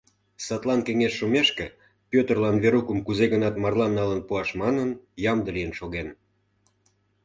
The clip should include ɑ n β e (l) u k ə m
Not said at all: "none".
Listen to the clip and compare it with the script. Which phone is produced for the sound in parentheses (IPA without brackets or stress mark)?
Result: ɾ